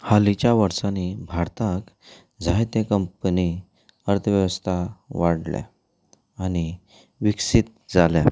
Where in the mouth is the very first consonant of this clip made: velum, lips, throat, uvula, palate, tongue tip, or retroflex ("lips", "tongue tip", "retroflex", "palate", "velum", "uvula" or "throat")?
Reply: throat